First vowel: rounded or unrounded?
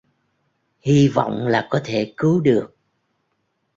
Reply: unrounded